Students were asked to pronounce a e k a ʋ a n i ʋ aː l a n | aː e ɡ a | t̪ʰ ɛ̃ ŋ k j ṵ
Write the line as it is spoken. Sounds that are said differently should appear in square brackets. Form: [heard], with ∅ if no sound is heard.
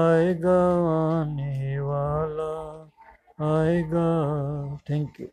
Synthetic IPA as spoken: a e [ɡ] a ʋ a n i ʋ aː l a [∅] | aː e ɡ a | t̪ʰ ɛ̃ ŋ k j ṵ